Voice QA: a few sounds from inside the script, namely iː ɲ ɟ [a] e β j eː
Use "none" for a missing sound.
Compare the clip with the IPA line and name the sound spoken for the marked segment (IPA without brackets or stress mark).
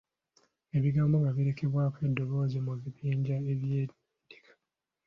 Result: a